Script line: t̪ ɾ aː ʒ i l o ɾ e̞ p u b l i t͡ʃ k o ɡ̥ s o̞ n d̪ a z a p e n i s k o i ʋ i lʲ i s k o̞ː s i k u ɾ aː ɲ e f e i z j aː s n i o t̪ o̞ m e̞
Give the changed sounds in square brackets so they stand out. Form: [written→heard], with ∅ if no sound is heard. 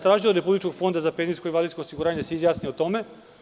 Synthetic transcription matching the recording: t̪ ɾ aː ʒ i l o ɾ e̞ p u b l i t͡ʃ k o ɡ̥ [s→f] o̞ n d̪ a z a p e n i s k o i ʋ [i→a] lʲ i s k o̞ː s i [k→ɡ] u ɾ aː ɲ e [f→s] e i z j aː s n i o t̪ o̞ m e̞